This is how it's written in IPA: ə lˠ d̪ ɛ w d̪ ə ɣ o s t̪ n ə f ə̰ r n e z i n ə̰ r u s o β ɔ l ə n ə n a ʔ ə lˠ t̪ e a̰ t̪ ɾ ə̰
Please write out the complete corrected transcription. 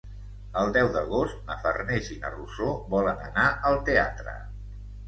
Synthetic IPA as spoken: ə lˠ d̪ ɛ w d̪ ə ɣ o s t̪ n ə f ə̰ r n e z i n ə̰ r u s o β ɔ l ə n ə n a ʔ ə lˠ t̪ e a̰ t̪ ɾ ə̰

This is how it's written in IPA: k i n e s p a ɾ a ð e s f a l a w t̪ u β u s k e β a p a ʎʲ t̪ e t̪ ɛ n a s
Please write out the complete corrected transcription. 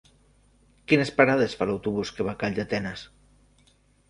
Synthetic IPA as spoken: k i n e s p a ɾ a ð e s f a l a w t̪ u β u s k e β a k a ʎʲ d̪ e t̪ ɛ n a s

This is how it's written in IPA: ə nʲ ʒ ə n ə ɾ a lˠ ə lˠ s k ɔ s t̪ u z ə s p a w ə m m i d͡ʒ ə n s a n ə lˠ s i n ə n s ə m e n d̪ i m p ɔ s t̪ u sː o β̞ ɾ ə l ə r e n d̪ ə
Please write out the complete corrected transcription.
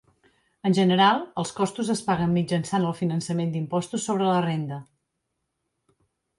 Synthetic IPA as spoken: ə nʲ ʒ ə n ə ɾ a lˠ ə lˠ s k ɔ s t̪ u z ə s p a ɣ ə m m i d͡ʒ ə n s a n ə lˠ f i n ə n s ə m e n d̪ i m p ɔ s t̪ u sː o β̞ ɾ ə l ə r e n d̪ ə

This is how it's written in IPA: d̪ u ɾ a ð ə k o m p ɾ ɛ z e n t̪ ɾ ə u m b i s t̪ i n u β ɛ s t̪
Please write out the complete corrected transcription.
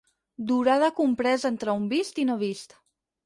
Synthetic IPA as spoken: d̪ u ɾ a ð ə k u m p ɾ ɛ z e n t̪ ɾ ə u m b i s t̪ i n o β i s t̪

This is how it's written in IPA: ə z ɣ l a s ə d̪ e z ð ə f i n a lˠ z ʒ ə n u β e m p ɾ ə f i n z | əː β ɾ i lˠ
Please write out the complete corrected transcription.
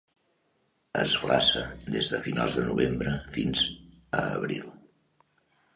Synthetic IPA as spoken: ə z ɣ l a s ə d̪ e z ð ə f i n a lˠ z ð ə n u β e m b ɾ ə f i n z | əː β ɾ i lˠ

